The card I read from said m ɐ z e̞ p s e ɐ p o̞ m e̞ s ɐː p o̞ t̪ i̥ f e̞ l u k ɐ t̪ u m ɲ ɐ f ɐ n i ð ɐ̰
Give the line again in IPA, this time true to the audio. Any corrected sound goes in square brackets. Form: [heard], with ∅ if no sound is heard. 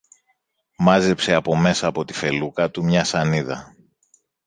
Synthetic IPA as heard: m ɐ z e̞ p s e ɐ p o̞ m e̞ s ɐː p o̞ t̪ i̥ f e̞ l u k ɐ t̪ u m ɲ ɐ [s] ɐ n i ð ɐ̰